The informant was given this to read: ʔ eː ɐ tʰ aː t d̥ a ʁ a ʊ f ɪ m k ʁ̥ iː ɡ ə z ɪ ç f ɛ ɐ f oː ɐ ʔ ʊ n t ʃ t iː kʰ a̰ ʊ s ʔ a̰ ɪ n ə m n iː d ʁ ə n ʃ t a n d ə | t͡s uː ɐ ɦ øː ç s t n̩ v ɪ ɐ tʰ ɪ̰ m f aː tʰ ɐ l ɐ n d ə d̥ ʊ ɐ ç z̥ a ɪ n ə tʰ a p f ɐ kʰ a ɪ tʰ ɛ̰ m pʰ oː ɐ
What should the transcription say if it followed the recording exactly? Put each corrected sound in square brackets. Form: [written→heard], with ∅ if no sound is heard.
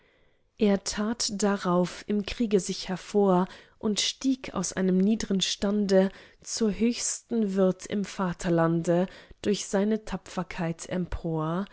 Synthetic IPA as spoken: ʔ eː ɐ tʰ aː t d̥ a ʁ a ʊ f ɪ m k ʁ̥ iː ɡ ə z ɪ ç [f→h] ɛ ɐ f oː ɐ ʔ ʊ n t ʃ t iː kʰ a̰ ʊ s ʔ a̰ ɪ n ə m n iː d ʁ ə n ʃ t a n d ə | t͡s uː ɐ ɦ øː ç s t n̩ v ɪ ɐ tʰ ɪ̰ m f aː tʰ ɐ l [ɐ→a] n d ə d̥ ʊ ɐ ç z̥ a ɪ n ə tʰ a p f ɐ kʰ a ɪ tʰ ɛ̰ m pʰ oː ɐ